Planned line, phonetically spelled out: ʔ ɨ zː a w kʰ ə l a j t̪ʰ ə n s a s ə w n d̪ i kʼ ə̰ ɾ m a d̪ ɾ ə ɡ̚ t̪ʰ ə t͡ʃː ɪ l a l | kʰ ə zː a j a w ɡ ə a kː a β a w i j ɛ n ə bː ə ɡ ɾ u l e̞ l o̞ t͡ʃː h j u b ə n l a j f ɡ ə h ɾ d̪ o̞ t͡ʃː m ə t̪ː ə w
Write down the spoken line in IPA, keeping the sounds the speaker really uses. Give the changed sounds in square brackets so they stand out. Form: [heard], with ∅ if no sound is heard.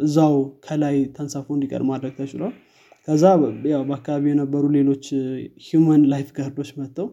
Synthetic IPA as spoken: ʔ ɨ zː a w kʰ ə l a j t̪ʰ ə n s a [f] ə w n d̪ i kʼ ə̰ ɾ m a d̪ ɾ ə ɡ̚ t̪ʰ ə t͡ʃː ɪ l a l | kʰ ə zː a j a w [b] ə a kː a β a [β] i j ɛ n ə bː ə [∅] ɾ u l e̞ l o̞ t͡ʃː h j u [m] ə n l a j f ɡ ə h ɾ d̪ o̞ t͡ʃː m ə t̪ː ə w